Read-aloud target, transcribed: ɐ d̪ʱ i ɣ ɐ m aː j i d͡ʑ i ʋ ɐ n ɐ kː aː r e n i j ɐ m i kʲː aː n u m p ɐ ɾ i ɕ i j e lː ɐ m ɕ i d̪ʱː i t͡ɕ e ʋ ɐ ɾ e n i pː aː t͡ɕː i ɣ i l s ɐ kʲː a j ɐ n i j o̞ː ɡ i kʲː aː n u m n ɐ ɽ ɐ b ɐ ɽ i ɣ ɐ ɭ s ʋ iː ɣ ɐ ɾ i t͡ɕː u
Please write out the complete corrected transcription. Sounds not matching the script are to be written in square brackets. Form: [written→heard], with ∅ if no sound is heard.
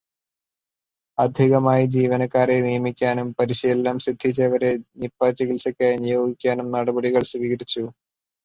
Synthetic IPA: ɐ d̪ʱ i ɣ ɐ m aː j i d͡ʑ [i→iː] ʋ ɐ n ɐ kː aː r e n i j ɐ m i kʲː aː n u m p ɐ ɾ i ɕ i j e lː ɐ m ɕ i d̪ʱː i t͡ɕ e ʋ ɐ ɾ e n i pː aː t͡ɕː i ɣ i l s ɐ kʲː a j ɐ n i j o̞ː ɡ i kʲː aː n u m n ɐ ɽ ɐ b ɐ ɽ i ɣ ɐ ɭ s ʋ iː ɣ ɐ ɾ i t͡ɕː u